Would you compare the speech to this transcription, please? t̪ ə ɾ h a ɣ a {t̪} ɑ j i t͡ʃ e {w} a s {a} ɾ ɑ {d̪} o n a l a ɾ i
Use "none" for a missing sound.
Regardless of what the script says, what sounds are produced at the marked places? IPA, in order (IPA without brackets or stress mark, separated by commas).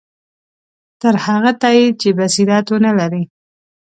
t̪, b, i, t̪